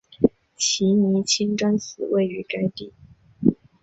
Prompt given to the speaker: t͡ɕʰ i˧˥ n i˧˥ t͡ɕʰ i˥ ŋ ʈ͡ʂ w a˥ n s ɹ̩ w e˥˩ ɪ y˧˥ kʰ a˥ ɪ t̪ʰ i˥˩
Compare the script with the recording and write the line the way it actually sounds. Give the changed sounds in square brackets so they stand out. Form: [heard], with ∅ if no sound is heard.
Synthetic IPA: t͡ɕʰ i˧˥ n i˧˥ t͡ɕʰ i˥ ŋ ʈ͡ʂ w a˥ n s ɹ̩ w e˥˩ ɪ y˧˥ [k] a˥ ɪ [t̪] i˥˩

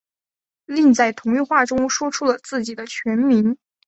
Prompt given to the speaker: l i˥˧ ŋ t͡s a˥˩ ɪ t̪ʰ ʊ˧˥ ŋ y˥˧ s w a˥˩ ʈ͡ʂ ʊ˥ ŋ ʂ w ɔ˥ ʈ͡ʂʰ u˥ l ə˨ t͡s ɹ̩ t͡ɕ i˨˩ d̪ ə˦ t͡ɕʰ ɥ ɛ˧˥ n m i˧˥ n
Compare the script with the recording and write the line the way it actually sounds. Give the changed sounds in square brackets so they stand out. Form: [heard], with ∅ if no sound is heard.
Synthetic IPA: l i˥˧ ŋ t͡s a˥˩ ɪ t̪ʰ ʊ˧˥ ŋ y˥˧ [x] w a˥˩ ʈ͡ʂ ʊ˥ ŋ ʂ w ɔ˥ ʈ͡ʂʰ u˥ l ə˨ t͡s ɹ̩ t͡ɕ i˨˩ d̪ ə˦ t͡ɕʰ ɥ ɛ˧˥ n m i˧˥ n

